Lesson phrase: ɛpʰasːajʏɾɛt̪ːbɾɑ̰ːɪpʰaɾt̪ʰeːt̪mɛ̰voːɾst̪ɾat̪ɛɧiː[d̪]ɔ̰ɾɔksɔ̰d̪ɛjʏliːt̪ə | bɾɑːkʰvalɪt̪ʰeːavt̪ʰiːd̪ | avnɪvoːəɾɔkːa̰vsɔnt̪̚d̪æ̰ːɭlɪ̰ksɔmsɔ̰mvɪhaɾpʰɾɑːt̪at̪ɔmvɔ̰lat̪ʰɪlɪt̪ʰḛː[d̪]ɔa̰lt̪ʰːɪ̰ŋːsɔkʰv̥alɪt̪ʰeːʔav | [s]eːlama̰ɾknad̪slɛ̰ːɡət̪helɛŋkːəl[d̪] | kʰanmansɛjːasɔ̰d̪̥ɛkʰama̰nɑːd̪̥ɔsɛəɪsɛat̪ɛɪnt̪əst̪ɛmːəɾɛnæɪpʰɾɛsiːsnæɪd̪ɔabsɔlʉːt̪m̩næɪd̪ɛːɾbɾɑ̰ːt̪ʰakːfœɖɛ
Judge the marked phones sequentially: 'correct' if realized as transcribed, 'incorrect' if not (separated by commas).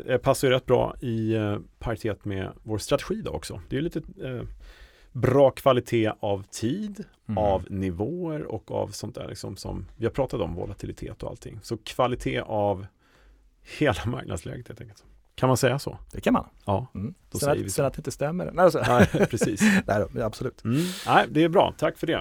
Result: correct, incorrect, incorrect, incorrect